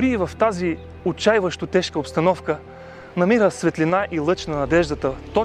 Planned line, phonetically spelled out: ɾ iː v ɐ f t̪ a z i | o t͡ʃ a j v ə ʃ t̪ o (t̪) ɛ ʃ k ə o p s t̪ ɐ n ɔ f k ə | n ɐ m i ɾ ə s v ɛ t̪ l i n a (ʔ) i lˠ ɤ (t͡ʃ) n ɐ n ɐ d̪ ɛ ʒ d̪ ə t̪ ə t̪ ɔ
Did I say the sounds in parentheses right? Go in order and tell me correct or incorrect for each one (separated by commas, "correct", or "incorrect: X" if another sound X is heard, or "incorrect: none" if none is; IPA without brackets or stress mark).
correct, correct, correct